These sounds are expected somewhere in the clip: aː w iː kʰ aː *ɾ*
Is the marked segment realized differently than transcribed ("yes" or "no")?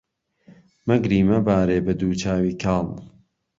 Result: yes